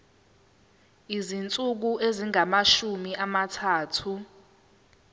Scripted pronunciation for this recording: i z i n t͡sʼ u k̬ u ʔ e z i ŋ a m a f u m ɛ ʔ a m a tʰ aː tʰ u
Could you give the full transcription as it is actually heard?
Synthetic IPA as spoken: i z i n t͡sʼ u k̬ u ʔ e z i ŋ a m a ʃ u m i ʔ a m a tʰ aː tʰ u